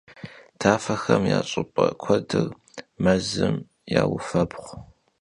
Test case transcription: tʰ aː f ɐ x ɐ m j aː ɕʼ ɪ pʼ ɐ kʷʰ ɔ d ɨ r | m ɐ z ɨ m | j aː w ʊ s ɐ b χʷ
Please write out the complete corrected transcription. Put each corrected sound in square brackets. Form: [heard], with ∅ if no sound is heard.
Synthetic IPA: tʰ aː f ɐ x ɐ m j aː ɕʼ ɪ pʼ ɐ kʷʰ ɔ d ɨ r | m ɐ z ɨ m | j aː w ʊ [f] ɐ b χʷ